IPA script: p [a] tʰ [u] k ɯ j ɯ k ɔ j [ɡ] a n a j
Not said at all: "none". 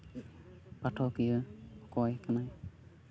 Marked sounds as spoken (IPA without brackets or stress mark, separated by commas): a, ɔ, k